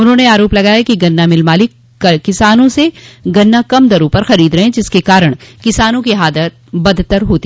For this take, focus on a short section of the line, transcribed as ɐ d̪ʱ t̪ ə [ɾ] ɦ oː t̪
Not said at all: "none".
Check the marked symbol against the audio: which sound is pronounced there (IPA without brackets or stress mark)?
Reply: ɾ